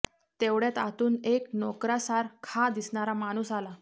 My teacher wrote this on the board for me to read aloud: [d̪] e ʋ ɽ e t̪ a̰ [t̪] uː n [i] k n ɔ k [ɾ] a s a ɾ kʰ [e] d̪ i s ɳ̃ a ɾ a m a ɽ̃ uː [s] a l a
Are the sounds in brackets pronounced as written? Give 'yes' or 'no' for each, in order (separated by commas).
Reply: no, yes, no, yes, no, yes